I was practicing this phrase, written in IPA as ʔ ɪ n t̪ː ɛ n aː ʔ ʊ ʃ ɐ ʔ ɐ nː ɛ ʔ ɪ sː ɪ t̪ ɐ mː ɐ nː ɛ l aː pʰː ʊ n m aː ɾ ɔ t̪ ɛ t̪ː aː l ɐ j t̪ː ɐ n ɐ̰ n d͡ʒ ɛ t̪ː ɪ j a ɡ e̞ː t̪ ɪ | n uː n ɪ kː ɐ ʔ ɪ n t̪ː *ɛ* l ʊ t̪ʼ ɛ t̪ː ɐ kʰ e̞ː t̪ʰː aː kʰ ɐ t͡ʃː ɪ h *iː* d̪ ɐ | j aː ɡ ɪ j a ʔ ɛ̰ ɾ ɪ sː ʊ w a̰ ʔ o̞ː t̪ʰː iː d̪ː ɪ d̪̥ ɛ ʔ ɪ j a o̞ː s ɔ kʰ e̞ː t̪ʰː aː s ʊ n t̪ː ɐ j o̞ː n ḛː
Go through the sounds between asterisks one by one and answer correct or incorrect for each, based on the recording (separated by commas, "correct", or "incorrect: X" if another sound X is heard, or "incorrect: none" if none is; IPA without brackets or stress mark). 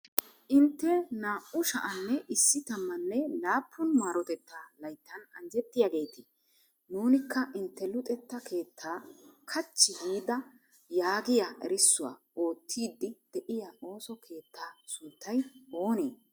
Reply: correct, correct